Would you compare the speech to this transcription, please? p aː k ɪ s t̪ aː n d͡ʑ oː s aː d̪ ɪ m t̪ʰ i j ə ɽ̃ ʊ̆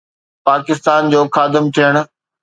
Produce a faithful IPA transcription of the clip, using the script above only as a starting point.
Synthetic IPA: p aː k ɪ s t̪ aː n d͡ʑ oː x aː d̪ ɪ m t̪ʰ i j ə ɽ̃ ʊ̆